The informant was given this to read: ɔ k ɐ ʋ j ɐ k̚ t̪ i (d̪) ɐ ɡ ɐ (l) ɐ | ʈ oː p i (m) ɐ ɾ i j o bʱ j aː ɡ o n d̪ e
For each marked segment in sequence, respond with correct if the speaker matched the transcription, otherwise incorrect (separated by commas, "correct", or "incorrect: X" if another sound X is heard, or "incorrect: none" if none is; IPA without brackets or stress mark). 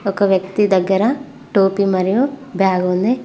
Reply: correct, incorrect: ɾ, correct